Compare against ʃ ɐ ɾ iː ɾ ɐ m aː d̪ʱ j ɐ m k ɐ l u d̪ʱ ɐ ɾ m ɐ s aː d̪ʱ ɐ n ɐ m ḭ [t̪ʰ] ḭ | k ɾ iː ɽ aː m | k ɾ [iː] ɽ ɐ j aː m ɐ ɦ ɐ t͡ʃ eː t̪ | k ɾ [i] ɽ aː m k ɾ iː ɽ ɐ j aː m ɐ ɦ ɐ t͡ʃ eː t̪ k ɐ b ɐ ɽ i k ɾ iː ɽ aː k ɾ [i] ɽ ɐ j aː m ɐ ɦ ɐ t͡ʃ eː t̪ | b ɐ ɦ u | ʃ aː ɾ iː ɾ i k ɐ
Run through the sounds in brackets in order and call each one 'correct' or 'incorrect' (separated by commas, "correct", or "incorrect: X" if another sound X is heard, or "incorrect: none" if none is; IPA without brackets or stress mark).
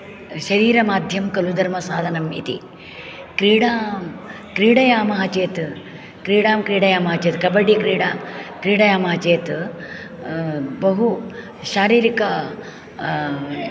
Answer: incorrect: t̪, correct, incorrect: iː, incorrect: iː